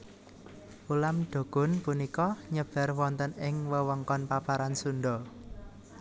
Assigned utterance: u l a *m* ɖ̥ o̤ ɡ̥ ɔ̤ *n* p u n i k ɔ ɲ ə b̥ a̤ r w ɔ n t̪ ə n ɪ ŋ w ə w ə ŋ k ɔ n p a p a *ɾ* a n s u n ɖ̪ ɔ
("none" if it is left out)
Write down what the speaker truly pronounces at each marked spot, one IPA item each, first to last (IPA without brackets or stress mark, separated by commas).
m, n, ɾ